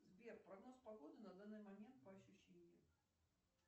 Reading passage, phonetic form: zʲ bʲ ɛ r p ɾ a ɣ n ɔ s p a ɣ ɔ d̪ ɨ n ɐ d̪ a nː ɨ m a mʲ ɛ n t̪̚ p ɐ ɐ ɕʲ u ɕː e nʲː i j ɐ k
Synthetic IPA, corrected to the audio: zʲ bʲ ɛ r p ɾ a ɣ n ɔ s p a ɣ ɔ d̪ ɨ n ɐ d̪ a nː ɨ m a mʲ ɛ n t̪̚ p ɐ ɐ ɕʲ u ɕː e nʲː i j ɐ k